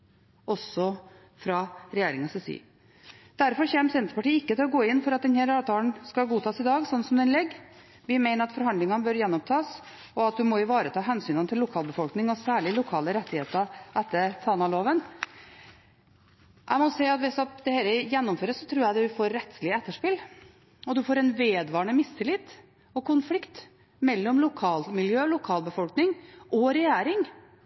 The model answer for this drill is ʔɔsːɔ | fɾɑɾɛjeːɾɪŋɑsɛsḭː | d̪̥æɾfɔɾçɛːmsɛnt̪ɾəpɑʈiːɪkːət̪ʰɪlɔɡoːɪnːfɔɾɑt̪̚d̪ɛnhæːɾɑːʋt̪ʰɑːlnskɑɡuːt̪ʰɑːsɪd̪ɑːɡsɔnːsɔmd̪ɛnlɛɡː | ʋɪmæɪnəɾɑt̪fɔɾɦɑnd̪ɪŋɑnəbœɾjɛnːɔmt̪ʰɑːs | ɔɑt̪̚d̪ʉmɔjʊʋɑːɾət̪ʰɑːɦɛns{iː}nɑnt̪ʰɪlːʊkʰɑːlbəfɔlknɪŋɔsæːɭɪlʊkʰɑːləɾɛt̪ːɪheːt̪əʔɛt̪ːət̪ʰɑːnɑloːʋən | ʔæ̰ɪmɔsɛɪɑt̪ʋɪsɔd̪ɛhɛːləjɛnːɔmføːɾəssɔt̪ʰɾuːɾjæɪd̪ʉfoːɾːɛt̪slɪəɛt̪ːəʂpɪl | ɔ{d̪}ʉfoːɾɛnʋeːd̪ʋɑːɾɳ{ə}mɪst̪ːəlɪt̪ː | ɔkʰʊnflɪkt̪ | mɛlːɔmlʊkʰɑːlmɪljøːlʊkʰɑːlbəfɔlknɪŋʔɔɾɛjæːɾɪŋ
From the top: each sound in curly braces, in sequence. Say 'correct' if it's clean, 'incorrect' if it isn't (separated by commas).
incorrect, correct, correct